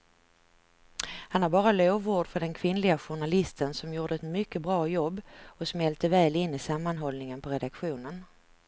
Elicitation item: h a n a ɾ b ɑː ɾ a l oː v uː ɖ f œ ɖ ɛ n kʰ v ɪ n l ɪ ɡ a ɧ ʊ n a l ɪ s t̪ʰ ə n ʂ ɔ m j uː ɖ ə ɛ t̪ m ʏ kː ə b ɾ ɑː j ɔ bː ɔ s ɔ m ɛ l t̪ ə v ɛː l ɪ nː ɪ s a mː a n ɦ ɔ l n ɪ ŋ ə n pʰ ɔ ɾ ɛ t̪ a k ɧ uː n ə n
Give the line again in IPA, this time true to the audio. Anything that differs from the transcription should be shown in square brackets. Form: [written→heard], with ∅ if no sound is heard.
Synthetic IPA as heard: h a n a ɾ b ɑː ɾ a l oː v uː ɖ f œ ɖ ɛ n kʰ v ɪ n l ɪ ɡ a ɧ ʊ [n→ɳ] a l ɪ s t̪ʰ ə n [ʂ→s] ɔ m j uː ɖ ə ɛ t̪ m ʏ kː ə b ɾ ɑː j ɔ bː ɔ s ɔ m ɛ l t̪ ə v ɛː l ɪ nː ɪ s a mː a n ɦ ɔ l n ɪ ŋ ə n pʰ ɔ ɾ ɛ [t̪→d̪] a k ɧ uː n ə n

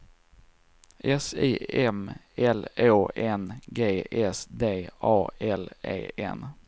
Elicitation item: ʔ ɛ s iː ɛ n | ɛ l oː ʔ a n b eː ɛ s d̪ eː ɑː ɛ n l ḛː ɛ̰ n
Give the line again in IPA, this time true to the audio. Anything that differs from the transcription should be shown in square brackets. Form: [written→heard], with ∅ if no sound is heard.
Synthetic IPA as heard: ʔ ɛ s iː ɛ [n→m] | ɛ l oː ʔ [a→ɛ] n [b→ɡ] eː ɛ s d̪ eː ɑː ɛ [n→∅] l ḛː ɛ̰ n

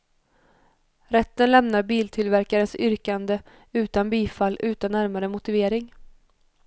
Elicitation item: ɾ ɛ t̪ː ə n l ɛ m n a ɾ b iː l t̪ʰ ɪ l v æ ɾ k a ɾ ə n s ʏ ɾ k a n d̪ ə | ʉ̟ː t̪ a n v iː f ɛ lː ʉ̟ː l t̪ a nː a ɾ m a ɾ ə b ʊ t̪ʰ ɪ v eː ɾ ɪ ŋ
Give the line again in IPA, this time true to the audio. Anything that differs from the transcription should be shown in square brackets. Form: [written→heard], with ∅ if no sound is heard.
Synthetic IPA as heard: ɾ ɛ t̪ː ə n l ɛ m n a ɾ b iː l t̪ʰ ɪ l v æ ɾ k a ɾ ə n s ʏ ɾ k a n d̪ ə | ʉ̟ː t̪ a n [v→b] iː f [ɛ→a] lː ʉ̟ː [l→∅] t̪ a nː [a→æ] ɾ m a ɾ ə [b→m] ʊ [t̪ʰ→t̪] ɪ v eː ɾ ɪ ŋ

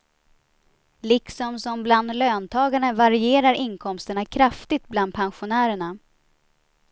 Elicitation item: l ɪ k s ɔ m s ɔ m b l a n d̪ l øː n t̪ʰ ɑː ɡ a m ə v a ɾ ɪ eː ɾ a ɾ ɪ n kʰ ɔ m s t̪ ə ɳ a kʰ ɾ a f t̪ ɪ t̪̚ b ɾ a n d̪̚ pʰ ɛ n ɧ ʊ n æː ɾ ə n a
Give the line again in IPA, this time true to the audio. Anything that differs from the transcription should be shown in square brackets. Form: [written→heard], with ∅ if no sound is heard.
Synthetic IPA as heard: l ɪ k s ɔ m s ɔ m b l a n d̪ l øː n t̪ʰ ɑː ɡ a [m→ɳ] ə v a ɾ ɪ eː ɾ a ɾ ɪ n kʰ ɔ m s t̪ ə ɳ a kʰ ɾ a f t̪ ɪ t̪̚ b [ɾ→l] a n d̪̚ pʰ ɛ n ɧ ʊ n æː ɾ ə [n→ɳ] a

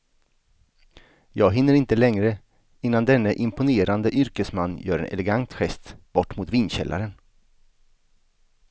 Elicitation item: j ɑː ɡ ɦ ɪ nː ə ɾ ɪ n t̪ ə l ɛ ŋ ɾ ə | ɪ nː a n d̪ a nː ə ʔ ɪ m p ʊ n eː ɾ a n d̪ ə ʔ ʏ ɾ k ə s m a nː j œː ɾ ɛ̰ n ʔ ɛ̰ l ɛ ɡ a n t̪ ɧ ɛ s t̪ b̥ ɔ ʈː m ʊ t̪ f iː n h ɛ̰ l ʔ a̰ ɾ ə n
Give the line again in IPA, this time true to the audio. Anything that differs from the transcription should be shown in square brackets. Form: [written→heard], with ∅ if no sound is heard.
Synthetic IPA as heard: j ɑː ɡ ɦ ɪ nː ə ɾ ɪ n t̪ ə l ɛ ŋ ɾ ə | ɪ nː a n d̪ [a→ɛ] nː ə ʔ ɪ m p ʊ n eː ɾ a n d̪ ə ʔ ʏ ɾ k ə s m a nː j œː ɾ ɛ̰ n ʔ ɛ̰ l ɛ ɡ a n t̪ ɧ ɛ s t̪ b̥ ɔ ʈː m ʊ t̪ [f→v] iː n [h→ɕ] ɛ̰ l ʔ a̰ ɾ ə n

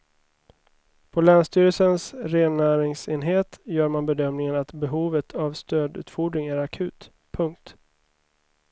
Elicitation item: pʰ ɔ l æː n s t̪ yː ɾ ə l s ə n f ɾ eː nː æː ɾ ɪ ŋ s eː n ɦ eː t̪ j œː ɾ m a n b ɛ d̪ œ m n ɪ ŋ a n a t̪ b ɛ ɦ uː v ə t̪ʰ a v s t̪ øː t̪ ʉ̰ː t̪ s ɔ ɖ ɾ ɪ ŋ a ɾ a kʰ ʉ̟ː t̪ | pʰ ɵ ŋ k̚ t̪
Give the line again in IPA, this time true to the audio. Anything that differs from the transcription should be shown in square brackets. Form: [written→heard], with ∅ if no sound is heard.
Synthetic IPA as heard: pʰ ɔ l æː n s t̪ yː ɾ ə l s ə n [f→s] ɾ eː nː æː ɾ ɪ ŋ s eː n ɦ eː t̪ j œː ɾ m a n b ɛ d̪ œ m n ɪ ŋ [a→ə] n a t̪ b ɛ ɦ uː v ə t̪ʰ a v s t̪ øː [t̪→d̪] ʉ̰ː t̪ [s→f] ɔ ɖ ɾ ɪ ŋ [a→æ] ɾ a kʰ ʉ̟ː t̪ | pʰ ɵ ŋ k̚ t̪

